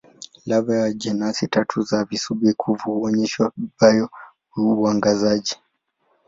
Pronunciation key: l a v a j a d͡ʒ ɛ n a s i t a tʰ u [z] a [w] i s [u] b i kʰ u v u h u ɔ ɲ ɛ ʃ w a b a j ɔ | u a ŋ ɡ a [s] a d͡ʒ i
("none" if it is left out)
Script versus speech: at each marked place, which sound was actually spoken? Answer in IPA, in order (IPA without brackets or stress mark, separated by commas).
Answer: z, v, u, z